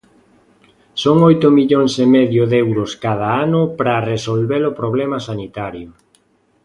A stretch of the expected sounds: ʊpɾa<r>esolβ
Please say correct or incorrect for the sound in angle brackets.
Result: correct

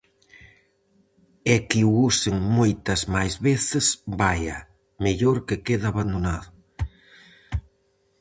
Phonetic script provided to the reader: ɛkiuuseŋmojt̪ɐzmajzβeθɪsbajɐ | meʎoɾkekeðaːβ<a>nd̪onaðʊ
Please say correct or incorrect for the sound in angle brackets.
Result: correct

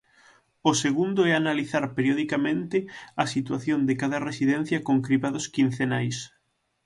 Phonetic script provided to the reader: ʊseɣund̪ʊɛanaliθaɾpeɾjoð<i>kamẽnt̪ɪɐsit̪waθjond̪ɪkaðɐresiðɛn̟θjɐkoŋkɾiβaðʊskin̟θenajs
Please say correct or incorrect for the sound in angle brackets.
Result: correct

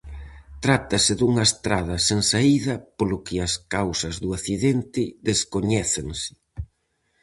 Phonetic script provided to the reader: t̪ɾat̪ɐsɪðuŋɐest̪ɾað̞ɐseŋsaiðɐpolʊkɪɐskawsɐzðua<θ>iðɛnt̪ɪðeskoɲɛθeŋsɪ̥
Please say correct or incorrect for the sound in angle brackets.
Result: correct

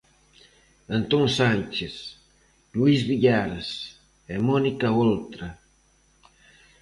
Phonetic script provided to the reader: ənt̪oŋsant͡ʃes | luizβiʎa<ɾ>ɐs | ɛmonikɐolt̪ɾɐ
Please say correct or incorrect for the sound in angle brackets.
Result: correct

